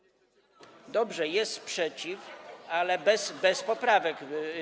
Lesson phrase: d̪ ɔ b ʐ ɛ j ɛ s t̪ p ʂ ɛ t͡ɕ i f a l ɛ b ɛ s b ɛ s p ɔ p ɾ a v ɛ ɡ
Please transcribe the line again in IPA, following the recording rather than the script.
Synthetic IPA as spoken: d̪ ɔ b ʐ ɛ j ɛ s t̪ p ʂ ɛ t͡ɕ i f a l ɛ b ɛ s b ɛ s p ɔ p ɾ a v ɛ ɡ